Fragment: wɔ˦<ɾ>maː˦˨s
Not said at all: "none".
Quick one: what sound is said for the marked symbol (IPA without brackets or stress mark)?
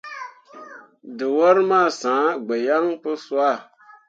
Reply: ɾ